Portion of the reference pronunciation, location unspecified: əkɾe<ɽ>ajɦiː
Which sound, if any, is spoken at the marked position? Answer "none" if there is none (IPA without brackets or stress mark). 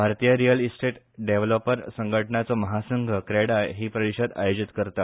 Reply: ɽ